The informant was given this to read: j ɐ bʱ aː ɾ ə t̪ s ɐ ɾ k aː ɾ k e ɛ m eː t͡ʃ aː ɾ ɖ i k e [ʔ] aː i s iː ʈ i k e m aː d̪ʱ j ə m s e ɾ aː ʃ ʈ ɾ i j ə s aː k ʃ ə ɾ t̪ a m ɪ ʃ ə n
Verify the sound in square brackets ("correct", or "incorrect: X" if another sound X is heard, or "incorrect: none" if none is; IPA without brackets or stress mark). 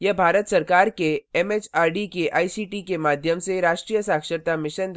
correct